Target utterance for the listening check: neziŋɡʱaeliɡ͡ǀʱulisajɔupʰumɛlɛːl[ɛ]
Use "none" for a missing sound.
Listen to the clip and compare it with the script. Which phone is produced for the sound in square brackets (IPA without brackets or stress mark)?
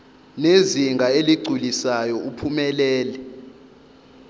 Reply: ɛ